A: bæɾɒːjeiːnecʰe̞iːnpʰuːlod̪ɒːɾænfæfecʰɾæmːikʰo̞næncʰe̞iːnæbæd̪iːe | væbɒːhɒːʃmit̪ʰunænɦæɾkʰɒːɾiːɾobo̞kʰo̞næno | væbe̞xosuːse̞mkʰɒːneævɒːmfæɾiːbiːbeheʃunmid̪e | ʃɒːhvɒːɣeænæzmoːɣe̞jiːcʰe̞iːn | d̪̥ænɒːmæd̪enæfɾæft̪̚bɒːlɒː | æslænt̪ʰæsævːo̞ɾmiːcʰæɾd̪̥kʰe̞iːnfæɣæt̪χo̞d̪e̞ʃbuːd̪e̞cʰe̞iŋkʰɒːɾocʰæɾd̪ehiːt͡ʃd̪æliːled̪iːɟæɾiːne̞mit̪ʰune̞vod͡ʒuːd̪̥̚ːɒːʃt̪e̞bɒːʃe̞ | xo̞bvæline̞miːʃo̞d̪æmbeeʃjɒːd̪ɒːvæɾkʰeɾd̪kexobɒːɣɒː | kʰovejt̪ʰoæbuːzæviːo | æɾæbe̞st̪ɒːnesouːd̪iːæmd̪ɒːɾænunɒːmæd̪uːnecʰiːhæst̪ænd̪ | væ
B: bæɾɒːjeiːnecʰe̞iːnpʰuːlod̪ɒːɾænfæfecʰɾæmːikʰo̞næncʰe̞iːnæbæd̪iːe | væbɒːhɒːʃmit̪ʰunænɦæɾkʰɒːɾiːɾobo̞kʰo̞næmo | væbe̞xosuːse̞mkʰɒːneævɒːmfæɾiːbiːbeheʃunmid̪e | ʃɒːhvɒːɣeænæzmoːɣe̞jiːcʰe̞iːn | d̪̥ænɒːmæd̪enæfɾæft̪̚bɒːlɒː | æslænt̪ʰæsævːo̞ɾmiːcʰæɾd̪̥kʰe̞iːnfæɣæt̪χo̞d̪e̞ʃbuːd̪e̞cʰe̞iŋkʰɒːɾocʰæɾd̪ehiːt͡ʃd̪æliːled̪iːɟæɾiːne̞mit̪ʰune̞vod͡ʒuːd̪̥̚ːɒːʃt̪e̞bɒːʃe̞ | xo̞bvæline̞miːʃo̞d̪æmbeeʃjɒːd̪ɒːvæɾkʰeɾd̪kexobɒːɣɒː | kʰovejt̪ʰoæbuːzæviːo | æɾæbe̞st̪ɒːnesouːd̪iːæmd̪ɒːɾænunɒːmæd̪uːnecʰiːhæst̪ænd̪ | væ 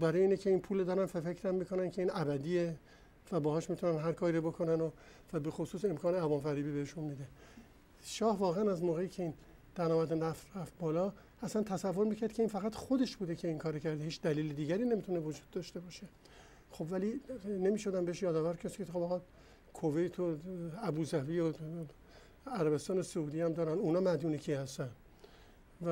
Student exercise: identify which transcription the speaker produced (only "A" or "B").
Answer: A